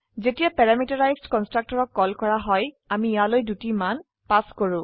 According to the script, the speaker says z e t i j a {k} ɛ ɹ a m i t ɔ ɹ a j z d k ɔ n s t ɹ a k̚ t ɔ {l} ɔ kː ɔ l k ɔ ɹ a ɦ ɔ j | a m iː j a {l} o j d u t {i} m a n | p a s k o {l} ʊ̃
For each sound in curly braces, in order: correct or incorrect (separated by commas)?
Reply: incorrect, incorrect, correct, correct, incorrect